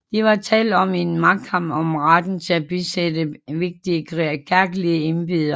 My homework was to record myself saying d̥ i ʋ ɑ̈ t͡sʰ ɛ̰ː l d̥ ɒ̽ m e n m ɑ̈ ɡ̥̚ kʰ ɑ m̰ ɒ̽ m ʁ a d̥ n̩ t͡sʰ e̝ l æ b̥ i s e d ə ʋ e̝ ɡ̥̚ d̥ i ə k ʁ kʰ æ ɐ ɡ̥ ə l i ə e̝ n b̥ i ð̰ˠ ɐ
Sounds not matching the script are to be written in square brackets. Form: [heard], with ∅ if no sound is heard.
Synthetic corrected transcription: d̥ i ʋ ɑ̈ t͡sʰ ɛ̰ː l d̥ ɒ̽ m e n m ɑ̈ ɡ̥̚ kʰ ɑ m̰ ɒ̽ m ʁ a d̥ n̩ t͡sʰ e̝ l æ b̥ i s e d ə ʋ e̝ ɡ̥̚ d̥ i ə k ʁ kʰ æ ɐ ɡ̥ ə l i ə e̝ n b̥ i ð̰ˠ ɐ